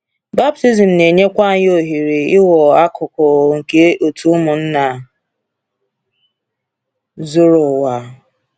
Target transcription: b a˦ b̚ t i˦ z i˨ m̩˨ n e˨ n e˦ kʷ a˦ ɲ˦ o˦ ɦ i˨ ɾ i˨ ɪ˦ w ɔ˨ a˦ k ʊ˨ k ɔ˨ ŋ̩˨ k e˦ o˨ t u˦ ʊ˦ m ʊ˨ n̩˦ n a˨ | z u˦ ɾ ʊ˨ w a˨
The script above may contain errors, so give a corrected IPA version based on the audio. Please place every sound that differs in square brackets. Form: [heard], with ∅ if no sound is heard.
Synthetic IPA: b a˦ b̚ t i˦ z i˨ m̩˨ n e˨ [ɲ] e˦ kʷ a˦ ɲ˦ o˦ ɦ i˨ ɾ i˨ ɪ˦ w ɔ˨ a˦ k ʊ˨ k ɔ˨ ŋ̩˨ k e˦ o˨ t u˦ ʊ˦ m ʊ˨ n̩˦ n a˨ | z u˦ ɾ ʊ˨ w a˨